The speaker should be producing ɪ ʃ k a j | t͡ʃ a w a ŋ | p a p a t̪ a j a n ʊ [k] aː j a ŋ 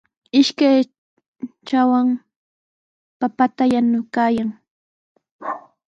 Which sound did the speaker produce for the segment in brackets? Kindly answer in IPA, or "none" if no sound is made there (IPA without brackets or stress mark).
k